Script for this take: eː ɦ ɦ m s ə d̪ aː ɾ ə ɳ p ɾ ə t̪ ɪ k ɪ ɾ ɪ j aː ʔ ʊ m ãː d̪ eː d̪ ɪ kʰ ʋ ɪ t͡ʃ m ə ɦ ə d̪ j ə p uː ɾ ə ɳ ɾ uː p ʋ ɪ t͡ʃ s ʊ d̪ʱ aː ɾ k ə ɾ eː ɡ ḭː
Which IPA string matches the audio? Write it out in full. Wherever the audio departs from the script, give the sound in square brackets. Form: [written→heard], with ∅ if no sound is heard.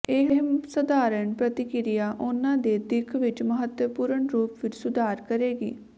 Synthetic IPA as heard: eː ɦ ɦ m s ə d̪ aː ɾ ə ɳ p ɾ ə t̪ ɪ k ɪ ɾ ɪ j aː ʔ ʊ [m→n] ãː d̪ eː d̪ ɪ kʰ ʋ ɪ t͡ʃ m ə ɦ ə [d̪→t̪] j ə p uː ɾ ə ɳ ɾ uː p ʋ ɪ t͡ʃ s ʊ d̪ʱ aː ɾ k ə ɾ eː ɡ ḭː